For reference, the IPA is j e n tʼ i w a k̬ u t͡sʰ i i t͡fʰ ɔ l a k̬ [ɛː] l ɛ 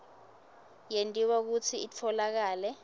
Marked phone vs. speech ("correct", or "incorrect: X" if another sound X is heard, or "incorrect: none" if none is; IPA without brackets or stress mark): incorrect: aː